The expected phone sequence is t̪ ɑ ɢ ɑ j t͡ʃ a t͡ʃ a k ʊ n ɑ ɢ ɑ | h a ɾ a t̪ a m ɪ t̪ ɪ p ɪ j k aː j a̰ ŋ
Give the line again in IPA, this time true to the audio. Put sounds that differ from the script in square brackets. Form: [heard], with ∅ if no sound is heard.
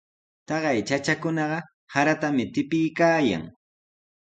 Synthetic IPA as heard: t̪ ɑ ɢ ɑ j t͡ʃ a t͡ʃ a k ʊ n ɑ ɢ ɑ | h a ɾ a t̪ a m ɪ t̪ ɪ p ɪ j k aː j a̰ ŋ